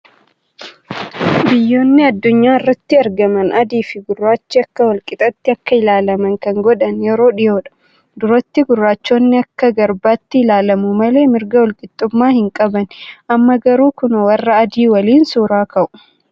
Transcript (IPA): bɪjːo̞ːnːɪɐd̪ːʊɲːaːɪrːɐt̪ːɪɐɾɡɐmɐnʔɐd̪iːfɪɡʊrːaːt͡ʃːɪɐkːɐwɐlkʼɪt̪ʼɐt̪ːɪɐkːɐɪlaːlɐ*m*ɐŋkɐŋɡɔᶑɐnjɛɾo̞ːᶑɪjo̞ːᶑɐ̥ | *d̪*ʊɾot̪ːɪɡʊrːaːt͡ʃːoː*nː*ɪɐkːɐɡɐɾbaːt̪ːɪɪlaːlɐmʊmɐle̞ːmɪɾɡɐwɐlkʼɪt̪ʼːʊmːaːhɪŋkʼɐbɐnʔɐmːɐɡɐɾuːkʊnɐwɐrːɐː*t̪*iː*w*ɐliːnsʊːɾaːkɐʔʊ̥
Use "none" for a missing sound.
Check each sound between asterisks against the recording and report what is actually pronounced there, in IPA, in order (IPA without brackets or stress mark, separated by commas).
m, d̪, nː, d̪, w